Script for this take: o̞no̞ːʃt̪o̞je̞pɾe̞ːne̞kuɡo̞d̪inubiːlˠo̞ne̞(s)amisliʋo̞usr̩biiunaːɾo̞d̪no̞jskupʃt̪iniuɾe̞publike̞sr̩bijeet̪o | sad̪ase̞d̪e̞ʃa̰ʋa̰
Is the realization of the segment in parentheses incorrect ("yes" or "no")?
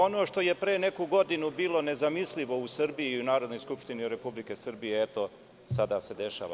yes